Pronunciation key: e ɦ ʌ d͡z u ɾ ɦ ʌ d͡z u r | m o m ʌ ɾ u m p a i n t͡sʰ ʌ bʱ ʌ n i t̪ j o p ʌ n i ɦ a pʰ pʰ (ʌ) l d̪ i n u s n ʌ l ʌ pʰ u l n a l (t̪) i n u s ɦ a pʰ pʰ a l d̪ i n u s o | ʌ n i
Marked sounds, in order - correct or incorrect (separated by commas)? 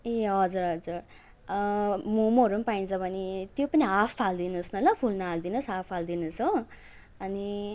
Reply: incorrect, incorrect